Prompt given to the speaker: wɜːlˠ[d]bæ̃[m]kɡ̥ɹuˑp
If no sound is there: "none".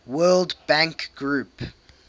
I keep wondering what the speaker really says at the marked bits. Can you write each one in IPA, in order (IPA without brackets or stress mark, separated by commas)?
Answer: d, ŋ